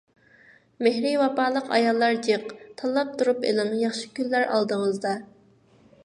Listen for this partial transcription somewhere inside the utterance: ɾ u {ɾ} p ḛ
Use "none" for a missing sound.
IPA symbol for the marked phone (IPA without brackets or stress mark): none